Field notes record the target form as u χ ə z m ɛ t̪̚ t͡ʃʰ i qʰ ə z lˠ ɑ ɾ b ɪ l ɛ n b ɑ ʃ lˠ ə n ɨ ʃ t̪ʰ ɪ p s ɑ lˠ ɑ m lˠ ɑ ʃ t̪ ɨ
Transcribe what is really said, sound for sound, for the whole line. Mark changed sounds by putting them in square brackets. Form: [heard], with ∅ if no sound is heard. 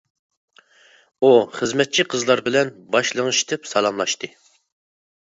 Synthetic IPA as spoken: u χ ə z m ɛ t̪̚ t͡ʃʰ i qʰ ə z lˠ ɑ ɾ b ɪ l ɛ n b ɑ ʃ lˠ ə [ŋ] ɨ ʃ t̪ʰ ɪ p s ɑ lˠ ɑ m lˠ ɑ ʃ t̪ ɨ